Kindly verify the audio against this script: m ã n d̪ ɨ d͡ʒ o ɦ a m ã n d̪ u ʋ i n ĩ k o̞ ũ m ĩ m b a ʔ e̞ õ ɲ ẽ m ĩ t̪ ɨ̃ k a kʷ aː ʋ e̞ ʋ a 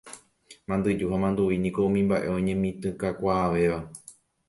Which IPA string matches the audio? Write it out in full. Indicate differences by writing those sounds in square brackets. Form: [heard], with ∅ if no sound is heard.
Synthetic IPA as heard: m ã n d̪ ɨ d͡ʒ [u] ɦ a m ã n d̪ u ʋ i n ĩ k o̞ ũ m ĩ m b a ʔ e̞ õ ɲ ẽ m ĩ t̪ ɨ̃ k a kʷ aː ʋ e̞ ʋ a